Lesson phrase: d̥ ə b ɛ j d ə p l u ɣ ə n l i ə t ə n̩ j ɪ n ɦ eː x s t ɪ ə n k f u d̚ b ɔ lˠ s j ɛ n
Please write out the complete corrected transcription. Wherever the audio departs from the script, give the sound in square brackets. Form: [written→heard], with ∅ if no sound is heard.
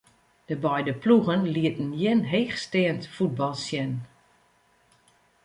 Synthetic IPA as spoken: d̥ ə b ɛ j d ə p l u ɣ ə n l i ə t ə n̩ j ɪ n ɦ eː x s t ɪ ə n [k→t] f u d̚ b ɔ lˠ s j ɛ n